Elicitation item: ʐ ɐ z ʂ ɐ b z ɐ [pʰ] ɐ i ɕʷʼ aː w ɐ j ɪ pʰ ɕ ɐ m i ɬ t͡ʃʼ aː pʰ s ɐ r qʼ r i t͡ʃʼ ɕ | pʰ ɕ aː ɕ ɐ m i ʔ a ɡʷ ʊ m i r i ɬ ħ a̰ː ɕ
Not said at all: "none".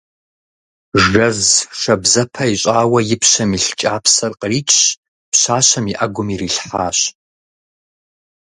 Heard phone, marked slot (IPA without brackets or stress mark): pʰ